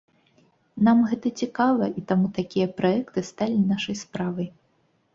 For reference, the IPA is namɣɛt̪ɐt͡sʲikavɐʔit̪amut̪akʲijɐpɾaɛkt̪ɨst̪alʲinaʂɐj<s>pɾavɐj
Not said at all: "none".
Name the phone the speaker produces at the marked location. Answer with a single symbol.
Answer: s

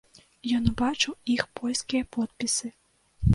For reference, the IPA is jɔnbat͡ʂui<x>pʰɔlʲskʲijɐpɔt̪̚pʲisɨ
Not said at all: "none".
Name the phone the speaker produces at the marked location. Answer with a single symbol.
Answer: x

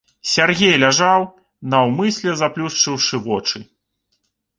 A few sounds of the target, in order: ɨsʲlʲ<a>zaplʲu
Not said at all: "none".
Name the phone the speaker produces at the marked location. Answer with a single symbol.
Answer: ɛ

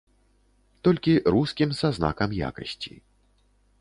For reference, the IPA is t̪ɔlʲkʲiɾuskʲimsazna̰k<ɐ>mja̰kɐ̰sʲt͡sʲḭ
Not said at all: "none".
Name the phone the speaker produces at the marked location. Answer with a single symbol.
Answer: ɐ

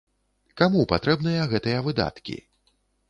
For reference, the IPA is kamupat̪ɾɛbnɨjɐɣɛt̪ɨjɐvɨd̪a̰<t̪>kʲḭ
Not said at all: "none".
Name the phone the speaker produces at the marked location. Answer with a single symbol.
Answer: t̪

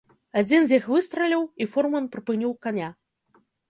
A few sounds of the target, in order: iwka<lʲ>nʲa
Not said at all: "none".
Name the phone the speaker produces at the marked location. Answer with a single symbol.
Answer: none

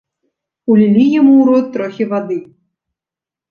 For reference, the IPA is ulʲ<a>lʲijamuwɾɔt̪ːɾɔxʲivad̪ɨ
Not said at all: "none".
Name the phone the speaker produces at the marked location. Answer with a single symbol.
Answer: i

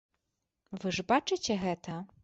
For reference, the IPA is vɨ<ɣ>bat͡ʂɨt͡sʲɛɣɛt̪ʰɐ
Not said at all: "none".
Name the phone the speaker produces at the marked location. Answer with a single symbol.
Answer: ʐ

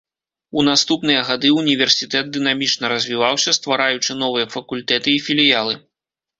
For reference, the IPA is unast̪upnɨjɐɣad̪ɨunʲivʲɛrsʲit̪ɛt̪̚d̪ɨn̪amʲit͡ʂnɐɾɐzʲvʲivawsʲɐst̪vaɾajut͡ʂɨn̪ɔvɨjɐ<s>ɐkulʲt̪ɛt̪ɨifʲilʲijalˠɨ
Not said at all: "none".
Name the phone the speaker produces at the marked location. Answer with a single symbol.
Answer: f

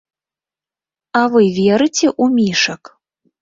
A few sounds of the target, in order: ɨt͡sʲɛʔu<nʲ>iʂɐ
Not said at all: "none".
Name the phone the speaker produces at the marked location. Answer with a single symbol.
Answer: mʲ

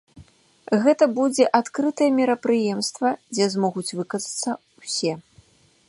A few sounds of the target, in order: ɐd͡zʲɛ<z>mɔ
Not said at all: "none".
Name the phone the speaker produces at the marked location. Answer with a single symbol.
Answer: z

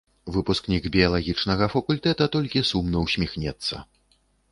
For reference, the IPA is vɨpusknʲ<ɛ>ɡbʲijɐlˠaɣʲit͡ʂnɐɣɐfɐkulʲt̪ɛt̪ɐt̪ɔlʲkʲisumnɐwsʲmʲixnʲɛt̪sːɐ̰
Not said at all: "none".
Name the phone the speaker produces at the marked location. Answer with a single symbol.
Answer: i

